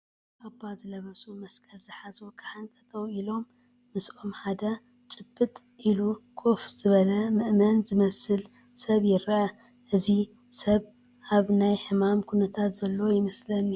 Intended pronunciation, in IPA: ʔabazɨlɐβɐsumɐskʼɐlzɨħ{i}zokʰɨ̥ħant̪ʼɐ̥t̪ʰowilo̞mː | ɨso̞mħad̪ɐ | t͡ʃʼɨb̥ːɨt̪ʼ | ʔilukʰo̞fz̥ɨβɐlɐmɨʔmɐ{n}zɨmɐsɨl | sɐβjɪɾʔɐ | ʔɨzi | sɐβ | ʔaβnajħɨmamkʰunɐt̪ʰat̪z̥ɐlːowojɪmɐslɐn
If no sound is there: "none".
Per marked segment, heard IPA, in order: a, n

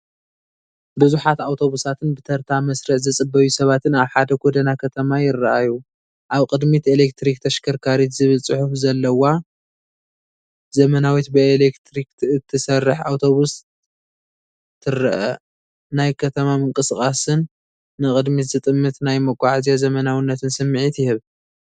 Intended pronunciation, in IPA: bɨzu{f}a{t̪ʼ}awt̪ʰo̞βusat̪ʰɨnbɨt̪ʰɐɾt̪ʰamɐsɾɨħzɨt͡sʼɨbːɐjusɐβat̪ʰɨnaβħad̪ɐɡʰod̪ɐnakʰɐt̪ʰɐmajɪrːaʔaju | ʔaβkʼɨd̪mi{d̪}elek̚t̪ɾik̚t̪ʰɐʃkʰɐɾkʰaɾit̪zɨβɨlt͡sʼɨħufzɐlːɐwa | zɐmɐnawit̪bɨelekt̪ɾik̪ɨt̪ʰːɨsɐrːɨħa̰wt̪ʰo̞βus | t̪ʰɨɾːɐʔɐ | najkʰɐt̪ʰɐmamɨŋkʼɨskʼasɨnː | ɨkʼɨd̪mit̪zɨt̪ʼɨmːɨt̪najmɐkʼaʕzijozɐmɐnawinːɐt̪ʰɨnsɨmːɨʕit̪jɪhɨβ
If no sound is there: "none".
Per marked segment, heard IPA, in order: ħ, t̪, t̪

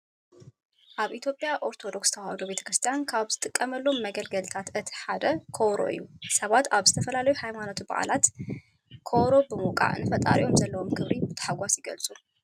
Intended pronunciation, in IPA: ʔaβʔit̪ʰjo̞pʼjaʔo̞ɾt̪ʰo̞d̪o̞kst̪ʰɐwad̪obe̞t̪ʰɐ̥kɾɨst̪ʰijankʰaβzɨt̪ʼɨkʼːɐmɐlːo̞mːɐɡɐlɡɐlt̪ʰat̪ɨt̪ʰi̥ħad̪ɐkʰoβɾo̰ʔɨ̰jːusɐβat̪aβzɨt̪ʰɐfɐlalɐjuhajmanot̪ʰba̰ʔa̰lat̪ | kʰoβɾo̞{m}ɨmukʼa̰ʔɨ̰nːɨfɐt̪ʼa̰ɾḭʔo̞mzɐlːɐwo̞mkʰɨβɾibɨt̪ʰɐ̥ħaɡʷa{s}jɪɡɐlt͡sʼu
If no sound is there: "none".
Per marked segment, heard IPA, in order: b, s

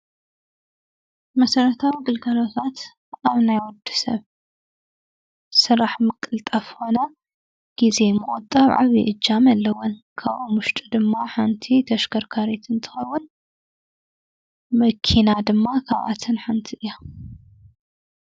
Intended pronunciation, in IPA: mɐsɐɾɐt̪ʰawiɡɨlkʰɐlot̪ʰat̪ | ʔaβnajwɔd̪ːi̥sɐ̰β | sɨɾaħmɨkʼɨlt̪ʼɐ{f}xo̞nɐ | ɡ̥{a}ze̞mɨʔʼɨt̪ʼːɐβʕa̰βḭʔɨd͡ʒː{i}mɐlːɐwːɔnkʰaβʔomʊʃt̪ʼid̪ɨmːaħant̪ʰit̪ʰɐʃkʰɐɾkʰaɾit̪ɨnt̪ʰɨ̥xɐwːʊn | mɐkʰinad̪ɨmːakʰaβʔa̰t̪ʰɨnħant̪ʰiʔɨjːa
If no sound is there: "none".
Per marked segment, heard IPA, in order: f, i, a

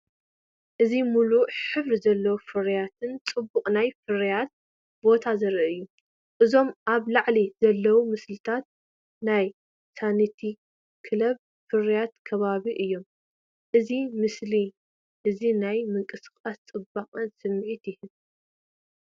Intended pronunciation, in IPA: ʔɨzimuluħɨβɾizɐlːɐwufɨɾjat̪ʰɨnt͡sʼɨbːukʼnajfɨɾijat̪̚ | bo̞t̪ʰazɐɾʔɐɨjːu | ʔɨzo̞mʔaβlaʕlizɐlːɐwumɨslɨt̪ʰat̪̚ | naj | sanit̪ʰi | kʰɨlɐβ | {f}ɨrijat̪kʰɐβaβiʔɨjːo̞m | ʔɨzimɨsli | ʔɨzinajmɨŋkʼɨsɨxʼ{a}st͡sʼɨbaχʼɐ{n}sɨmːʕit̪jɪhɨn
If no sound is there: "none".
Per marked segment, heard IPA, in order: f, a, n

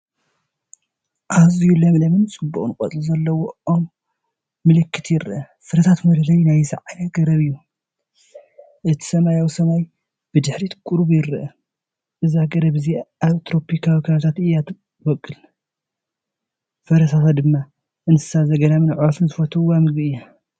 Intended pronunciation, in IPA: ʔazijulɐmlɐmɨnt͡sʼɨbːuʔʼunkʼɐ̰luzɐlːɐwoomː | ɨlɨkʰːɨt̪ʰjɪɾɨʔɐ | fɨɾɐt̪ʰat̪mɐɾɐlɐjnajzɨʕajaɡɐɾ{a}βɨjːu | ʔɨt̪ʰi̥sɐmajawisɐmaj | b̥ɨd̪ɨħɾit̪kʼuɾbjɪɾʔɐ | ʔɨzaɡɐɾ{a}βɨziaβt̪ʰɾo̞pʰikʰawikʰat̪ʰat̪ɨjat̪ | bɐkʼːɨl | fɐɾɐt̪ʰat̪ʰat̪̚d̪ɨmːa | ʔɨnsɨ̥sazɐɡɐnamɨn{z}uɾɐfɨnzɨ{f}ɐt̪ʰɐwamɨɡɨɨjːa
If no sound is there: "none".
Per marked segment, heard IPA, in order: ɐ, ɐ, ʕ, f

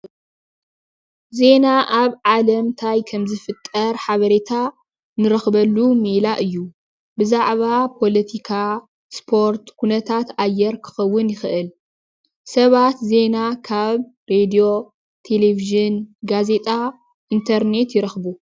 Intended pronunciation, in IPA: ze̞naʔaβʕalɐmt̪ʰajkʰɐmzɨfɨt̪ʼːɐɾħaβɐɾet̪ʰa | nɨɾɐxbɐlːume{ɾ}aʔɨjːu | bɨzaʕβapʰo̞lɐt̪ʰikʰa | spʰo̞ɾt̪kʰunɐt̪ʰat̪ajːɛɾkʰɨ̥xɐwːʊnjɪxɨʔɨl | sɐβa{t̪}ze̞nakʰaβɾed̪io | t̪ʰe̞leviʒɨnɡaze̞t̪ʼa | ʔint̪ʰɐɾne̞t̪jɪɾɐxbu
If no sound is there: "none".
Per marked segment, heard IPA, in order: l, t̪

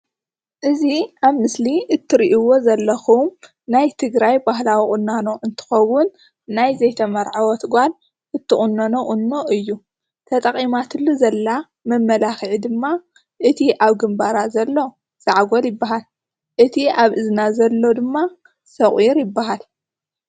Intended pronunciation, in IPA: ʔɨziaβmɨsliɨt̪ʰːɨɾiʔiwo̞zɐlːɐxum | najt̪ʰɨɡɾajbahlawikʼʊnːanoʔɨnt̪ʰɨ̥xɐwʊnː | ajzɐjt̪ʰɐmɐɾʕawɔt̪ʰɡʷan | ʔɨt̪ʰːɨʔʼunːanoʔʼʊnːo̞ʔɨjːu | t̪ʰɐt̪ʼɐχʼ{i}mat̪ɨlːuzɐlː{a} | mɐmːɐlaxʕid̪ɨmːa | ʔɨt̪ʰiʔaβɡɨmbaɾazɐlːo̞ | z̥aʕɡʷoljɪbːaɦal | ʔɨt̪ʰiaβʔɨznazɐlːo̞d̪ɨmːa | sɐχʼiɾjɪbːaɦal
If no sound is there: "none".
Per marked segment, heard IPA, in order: i, a

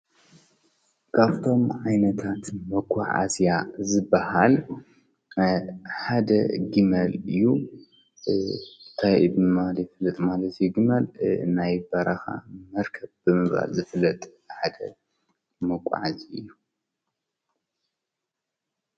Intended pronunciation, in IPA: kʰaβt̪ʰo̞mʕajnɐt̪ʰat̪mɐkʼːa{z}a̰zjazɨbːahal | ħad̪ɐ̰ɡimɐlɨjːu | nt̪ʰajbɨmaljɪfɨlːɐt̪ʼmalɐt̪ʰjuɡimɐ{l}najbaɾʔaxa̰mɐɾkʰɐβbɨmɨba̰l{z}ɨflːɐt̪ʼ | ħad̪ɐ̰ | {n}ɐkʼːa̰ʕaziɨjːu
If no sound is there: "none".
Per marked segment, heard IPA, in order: ʕ, l, z, m

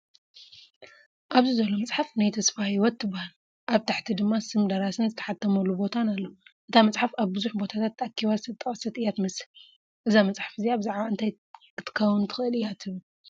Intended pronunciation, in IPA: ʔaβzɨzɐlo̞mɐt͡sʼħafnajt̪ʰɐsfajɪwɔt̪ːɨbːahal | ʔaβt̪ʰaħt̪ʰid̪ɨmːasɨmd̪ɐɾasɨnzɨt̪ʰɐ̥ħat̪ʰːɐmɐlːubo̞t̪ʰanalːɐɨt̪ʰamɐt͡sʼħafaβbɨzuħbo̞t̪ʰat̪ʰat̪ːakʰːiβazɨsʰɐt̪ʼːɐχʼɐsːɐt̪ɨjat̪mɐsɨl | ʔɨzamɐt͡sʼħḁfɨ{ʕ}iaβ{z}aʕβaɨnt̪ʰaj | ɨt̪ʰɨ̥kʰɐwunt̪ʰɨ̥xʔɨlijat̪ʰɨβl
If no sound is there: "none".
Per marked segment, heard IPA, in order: z, z

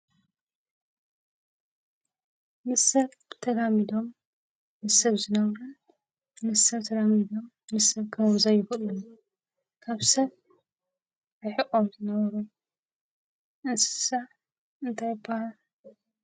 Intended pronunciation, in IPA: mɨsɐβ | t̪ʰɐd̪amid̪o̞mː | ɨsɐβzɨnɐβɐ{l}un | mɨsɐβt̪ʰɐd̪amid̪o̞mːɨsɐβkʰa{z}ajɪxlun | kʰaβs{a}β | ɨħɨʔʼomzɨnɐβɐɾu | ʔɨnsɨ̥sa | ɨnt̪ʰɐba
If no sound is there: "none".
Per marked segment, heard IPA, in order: ɾ, z, ɐ

